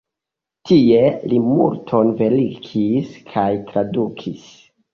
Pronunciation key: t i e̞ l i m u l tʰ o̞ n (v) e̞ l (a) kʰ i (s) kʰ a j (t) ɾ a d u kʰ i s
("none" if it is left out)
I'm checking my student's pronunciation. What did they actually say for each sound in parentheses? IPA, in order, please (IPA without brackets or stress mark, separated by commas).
v, i, s, t